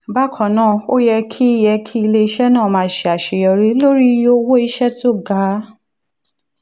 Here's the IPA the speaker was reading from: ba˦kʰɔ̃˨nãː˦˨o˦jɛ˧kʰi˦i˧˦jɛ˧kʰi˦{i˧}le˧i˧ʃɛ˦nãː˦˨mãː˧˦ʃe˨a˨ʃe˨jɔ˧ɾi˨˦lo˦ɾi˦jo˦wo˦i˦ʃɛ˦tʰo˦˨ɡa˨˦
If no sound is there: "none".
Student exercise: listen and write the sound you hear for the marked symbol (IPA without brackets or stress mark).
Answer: i˧